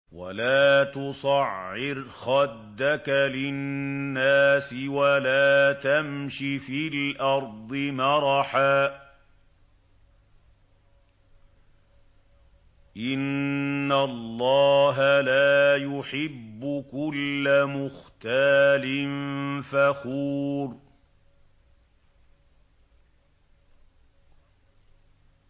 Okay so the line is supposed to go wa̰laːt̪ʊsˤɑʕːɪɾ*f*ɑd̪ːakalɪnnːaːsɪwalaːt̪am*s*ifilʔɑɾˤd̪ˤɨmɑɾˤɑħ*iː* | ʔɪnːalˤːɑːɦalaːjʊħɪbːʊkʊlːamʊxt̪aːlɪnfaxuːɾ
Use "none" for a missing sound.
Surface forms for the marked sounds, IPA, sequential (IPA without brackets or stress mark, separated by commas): x, ʃ, aː